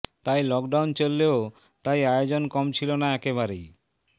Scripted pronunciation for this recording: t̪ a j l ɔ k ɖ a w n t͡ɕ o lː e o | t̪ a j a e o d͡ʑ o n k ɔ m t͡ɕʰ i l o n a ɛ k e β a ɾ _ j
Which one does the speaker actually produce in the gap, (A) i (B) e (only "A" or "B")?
B